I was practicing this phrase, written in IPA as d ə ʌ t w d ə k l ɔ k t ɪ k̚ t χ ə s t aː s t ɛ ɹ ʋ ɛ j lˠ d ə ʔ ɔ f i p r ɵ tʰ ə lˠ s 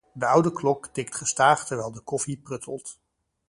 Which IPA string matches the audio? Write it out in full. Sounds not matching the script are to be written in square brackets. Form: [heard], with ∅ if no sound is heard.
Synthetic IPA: d ə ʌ [∅] w d ə k l ɔ k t ɪ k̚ t χ ə s t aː [χ] t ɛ ɹ ʋ ɛ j lˠ d ə [k] ɔ f i p r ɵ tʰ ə lˠ [t]

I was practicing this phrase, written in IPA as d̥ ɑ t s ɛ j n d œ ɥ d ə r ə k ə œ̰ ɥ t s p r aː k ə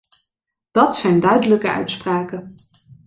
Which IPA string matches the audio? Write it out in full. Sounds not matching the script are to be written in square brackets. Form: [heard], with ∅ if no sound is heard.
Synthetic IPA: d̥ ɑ t s ɛ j n d œ ɥ d ə [l] ə k ə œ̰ ɥ t s p r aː k ə

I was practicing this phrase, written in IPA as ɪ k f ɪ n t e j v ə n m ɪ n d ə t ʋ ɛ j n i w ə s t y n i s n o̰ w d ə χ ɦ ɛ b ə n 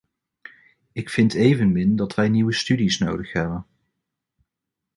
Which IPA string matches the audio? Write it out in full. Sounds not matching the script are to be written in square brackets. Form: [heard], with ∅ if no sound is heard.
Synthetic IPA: ɪ k f ɪ n t e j v ə n m ɪ n d [ɑ] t ʋ ɛ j n i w ə s t y [d] i s n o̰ w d ə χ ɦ ɛ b ə n

